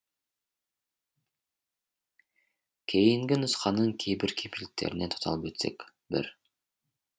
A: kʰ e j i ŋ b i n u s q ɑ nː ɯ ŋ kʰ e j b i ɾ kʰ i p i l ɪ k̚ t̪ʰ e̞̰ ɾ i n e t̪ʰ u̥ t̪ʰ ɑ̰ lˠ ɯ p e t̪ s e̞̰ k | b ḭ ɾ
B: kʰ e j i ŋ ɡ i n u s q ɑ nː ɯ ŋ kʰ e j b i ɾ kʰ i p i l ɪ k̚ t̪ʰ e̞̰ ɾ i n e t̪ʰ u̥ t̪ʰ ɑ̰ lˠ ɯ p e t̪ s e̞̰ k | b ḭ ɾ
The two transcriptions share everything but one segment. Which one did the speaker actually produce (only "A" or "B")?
B